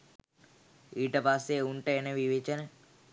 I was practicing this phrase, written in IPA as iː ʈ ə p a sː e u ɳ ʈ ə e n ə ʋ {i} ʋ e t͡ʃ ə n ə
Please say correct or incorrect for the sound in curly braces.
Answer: correct